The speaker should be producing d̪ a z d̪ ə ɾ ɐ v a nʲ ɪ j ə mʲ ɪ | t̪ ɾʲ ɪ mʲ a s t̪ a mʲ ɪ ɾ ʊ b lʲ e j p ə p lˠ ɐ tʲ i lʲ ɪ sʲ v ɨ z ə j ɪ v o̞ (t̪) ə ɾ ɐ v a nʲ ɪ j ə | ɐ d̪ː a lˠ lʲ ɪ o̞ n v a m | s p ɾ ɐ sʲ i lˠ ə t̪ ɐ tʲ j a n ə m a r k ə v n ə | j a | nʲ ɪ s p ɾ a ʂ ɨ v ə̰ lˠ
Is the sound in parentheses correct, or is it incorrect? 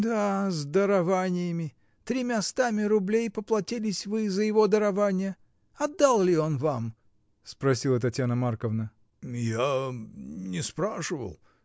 incorrect: d̪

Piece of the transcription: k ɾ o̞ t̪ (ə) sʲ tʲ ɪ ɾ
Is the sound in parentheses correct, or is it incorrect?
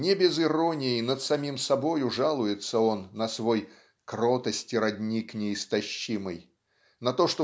correct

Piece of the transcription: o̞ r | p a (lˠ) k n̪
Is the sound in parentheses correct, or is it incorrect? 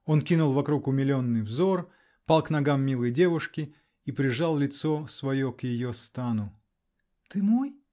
correct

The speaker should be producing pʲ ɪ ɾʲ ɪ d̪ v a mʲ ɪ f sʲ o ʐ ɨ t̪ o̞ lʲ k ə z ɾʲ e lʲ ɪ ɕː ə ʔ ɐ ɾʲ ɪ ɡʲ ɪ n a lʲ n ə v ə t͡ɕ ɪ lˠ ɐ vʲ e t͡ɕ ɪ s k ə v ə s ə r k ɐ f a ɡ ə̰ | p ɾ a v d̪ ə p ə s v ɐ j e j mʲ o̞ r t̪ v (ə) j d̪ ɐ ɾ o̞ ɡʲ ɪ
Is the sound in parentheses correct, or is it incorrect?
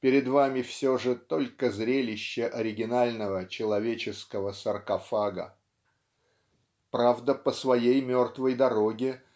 correct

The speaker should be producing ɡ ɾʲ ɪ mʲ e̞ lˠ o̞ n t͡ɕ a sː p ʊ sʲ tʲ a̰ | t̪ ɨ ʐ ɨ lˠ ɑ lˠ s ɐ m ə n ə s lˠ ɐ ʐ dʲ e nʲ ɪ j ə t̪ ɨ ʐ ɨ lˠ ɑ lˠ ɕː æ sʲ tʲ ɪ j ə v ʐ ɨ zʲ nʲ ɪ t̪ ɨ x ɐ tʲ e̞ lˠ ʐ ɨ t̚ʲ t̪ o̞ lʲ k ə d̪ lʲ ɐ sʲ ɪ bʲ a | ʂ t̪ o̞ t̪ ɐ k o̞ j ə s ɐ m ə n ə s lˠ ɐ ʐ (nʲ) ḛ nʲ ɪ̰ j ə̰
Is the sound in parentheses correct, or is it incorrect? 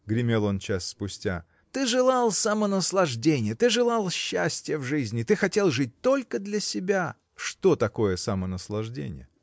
incorrect: dʲ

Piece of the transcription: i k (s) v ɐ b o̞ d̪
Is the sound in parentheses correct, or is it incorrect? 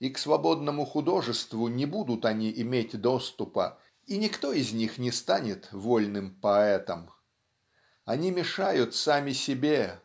correct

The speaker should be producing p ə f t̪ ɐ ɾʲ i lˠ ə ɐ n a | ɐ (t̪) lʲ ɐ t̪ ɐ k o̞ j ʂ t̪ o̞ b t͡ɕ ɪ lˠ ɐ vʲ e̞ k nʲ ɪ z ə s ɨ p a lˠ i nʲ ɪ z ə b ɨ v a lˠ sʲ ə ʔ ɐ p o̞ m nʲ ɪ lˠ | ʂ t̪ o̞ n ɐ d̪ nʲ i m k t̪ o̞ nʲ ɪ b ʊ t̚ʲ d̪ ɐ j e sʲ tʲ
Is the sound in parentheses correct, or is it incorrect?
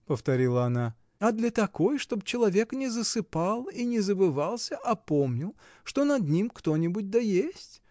incorrect: d̪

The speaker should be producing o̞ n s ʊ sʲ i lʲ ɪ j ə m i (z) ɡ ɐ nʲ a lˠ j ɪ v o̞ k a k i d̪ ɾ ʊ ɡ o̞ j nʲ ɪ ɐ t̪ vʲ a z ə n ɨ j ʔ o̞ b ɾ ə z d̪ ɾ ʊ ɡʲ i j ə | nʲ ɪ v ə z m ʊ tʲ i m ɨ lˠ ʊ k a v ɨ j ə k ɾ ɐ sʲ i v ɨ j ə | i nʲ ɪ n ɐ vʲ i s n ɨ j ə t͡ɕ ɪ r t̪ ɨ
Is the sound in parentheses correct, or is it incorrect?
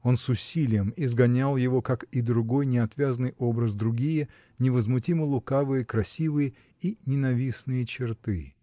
correct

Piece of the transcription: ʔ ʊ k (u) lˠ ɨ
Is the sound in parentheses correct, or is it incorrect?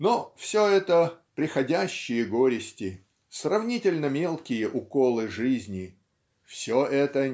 incorrect: o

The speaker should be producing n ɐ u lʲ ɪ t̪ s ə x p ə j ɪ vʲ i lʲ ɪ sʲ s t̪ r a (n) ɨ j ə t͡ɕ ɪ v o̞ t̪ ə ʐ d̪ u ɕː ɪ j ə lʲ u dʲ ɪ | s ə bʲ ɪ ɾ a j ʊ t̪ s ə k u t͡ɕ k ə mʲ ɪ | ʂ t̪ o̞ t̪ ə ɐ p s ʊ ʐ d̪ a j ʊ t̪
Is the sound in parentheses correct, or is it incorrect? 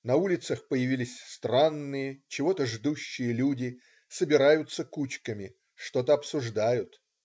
incorrect: nː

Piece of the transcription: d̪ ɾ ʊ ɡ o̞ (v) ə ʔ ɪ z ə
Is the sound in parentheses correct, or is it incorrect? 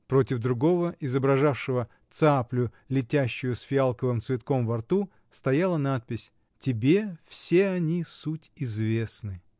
correct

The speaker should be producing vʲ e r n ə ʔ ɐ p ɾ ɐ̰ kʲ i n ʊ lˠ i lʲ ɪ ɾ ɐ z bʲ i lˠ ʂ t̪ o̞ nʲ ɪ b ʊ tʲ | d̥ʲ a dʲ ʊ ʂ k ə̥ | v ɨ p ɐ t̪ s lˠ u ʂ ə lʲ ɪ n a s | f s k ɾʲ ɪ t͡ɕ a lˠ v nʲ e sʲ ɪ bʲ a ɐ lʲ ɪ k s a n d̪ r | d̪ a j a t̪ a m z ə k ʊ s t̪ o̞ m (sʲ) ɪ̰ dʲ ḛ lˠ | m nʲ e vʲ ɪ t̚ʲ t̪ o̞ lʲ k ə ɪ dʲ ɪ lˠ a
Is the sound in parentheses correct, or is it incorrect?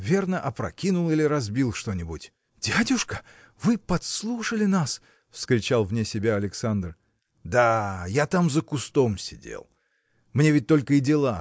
correct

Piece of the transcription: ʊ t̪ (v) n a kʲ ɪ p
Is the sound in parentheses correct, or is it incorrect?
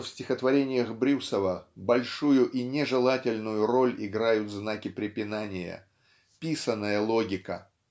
incorrect: z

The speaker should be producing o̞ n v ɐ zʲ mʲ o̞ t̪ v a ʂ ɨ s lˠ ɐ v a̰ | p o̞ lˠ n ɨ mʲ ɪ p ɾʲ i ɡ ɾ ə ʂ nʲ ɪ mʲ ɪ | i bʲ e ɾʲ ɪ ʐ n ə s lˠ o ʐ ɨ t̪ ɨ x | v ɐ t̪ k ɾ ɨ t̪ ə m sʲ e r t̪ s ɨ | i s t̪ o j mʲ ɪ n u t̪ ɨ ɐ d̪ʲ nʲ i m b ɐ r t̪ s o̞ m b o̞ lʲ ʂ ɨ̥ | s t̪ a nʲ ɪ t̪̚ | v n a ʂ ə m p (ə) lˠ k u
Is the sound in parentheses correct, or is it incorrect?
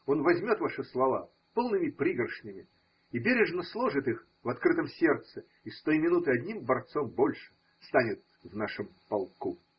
incorrect: ɐ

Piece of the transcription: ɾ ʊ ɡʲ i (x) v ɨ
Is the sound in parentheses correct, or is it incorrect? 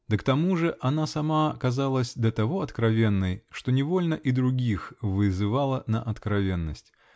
correct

